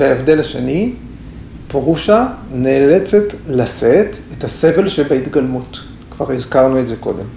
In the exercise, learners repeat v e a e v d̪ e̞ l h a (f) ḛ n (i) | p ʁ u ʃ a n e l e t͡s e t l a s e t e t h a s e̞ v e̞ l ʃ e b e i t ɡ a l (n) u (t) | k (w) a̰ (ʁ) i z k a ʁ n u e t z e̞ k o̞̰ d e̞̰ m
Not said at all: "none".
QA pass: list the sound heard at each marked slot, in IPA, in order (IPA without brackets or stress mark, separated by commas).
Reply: ʃ, i, m, t, v, ʁ